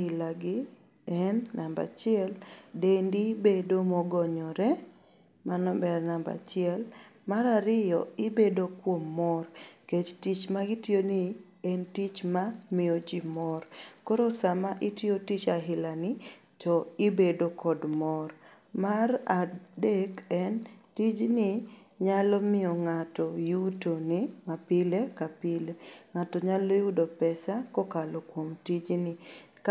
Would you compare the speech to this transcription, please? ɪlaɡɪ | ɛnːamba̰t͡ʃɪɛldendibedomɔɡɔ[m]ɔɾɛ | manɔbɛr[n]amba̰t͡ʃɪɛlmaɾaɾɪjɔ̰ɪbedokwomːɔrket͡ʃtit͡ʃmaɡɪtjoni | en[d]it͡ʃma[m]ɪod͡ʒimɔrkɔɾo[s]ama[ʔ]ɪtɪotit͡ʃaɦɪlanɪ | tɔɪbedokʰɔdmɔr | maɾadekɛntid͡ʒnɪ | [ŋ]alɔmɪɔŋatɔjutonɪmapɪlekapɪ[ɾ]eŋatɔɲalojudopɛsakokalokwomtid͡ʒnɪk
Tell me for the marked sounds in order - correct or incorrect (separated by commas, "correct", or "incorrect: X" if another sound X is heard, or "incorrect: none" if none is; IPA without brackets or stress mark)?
incorrect: ɲ, correct, incorrect: t, correct, correct, correct, incorrect: ɲ, incorrect: l